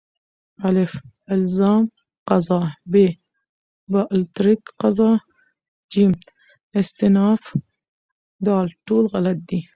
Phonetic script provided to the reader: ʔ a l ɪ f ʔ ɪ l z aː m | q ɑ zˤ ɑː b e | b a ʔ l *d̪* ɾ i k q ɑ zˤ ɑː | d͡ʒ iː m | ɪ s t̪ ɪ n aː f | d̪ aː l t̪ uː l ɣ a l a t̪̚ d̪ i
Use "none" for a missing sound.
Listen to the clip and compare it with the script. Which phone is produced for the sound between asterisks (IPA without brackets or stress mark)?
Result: t̪